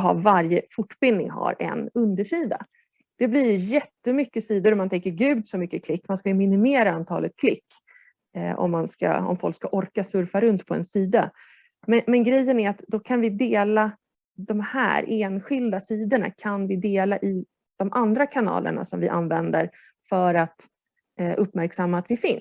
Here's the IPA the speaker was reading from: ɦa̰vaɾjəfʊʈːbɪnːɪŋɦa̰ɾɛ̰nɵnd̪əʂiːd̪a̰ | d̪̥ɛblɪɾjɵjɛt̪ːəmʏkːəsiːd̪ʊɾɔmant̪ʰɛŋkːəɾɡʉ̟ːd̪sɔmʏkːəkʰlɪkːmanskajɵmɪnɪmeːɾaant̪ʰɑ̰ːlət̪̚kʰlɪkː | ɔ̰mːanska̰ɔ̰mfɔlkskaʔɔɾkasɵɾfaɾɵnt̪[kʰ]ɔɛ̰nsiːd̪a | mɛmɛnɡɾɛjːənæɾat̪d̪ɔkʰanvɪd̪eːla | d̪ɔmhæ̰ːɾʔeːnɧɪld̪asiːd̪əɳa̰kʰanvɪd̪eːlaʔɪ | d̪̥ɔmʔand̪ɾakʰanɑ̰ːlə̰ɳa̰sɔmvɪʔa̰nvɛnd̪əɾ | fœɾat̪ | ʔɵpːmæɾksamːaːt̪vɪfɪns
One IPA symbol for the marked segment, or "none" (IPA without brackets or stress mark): pʰ